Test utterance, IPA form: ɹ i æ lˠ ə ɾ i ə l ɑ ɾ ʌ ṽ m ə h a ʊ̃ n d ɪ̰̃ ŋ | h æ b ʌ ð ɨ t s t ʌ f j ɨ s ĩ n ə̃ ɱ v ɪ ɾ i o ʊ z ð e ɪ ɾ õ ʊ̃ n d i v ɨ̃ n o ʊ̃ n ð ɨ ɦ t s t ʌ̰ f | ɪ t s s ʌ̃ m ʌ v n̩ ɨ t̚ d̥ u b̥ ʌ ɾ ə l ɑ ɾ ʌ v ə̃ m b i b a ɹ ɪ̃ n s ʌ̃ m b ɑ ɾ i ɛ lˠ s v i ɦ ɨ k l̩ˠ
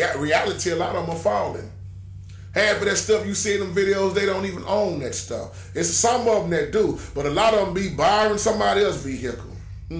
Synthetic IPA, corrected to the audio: ɹ i æ lˠ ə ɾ i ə l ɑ ɾ ʌ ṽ m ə f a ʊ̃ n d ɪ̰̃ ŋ | h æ b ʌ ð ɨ t s t ʌ f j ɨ s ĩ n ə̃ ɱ v ɪ ɾ i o ʊ z ð e ɪ ɾ õ ʊ̃ n t i v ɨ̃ n õ ʊ̃ n ð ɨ t s t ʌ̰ f | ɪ t s s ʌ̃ m ʌ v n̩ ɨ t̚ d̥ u b̥ ʌ ɾ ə l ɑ ɾ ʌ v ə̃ m b i b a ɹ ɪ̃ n s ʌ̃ m b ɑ ɾ i ɛ lˠ s v i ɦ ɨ k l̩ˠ